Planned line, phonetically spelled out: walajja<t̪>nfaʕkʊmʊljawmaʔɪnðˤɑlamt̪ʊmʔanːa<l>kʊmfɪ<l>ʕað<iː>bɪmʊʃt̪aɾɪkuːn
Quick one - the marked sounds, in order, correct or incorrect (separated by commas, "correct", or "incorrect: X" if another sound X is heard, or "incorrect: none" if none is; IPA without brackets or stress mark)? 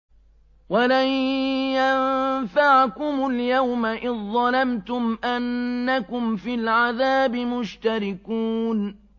incorrect: none, incorrect: none, correct, incorrect: aː